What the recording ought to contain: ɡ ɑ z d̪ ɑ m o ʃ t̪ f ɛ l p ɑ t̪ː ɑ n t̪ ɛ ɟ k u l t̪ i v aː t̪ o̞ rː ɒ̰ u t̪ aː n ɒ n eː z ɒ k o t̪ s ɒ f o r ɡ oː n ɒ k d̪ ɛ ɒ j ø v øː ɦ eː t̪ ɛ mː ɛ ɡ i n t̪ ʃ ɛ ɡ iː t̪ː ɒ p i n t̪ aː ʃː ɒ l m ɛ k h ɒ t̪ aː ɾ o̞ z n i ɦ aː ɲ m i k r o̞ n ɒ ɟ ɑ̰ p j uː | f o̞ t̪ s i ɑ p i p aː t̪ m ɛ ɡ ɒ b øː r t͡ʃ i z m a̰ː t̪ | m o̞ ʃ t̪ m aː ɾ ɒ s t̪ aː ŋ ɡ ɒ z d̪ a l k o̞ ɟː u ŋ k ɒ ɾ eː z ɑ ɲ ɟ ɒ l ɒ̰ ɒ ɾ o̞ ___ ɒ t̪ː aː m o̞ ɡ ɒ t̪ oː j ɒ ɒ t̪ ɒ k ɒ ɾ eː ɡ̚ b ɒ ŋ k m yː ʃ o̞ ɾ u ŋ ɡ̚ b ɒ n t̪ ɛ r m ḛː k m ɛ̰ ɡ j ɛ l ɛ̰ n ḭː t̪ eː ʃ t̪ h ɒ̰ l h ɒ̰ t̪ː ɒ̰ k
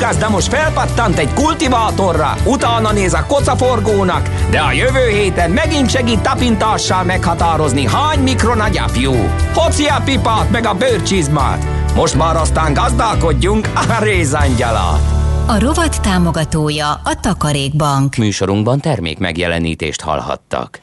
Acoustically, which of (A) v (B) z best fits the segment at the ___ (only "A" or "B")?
A